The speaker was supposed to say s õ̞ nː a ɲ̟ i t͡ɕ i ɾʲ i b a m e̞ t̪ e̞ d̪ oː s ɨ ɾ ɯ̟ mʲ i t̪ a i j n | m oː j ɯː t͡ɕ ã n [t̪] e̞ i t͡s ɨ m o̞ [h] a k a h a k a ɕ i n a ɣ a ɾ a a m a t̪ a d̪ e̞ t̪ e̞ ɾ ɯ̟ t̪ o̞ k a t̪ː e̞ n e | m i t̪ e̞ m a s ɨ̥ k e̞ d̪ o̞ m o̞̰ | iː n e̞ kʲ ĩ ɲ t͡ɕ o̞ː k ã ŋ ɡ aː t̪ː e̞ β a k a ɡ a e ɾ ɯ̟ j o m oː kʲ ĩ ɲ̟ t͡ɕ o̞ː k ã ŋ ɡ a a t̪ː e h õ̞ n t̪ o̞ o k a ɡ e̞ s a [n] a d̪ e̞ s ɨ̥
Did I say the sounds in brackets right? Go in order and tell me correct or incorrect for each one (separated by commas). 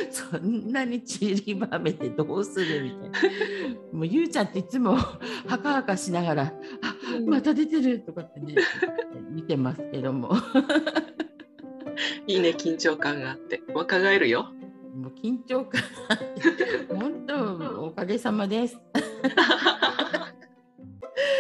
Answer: correct, correct, incorrect